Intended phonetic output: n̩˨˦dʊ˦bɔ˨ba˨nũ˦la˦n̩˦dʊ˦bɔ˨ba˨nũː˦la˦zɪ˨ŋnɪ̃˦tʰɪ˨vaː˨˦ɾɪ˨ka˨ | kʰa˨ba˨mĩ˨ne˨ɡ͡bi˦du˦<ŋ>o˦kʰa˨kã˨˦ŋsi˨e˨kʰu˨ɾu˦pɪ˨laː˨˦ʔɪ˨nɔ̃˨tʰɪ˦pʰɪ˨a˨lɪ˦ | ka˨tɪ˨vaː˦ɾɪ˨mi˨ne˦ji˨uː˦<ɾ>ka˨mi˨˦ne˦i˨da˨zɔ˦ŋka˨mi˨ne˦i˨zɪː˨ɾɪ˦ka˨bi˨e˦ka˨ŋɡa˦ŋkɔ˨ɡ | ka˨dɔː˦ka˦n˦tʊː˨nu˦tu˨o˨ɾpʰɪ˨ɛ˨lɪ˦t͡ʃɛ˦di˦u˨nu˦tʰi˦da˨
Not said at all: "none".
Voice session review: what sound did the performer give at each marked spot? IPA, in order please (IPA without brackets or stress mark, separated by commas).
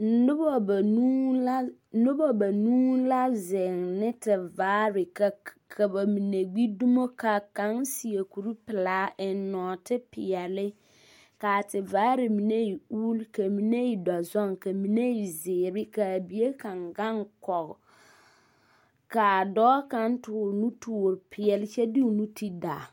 m, l